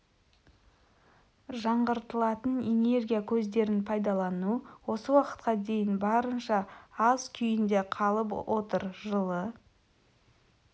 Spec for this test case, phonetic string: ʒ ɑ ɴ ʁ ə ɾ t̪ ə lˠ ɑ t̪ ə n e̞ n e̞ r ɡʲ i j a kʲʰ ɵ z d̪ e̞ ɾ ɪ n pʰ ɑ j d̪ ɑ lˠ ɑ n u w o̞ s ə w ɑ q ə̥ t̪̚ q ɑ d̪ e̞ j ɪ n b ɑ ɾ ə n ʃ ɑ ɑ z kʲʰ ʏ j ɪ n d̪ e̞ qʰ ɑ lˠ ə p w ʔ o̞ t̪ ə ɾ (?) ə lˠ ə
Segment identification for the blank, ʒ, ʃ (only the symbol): ʒ